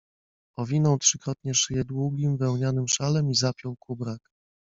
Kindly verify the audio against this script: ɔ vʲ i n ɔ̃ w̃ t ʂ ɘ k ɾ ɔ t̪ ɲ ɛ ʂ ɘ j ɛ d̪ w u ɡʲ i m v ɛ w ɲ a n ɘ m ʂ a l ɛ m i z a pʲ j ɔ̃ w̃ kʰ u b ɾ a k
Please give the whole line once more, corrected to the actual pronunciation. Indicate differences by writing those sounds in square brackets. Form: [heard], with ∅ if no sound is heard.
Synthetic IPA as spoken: ɔ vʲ i n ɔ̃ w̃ t ʂ ɘ k ɾ ɔ t̪ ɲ ɛ ʂ ɘ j ɛ d̪ w u ɡʲ i m v ɛ w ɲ a n ɘ m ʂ a l ɛ m i z a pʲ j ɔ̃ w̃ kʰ u b ɾ a k